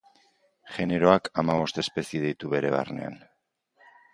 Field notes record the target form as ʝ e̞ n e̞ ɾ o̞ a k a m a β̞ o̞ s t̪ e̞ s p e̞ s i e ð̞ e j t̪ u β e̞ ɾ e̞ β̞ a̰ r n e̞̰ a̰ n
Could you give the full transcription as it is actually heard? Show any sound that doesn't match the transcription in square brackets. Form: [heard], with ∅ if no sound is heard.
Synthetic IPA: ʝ e̞ n e̞ ɾ o̞ a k a m a β̞ o̞ s t̪ e̞ s p e̞ s i e ð̞ e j t̪ u β e̞ ɾ e̞ β̞ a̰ r n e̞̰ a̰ n